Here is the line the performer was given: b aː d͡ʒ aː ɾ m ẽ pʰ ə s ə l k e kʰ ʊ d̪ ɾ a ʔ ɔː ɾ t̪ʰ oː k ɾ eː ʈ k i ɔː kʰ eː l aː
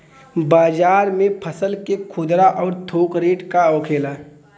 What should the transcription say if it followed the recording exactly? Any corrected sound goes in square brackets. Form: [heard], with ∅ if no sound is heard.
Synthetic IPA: b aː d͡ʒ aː ɾ m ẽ pʰ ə s ə l k e kʰ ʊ d̪ ɾ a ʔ ɔː ɾ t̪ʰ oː k ɾ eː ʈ k [a] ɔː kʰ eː l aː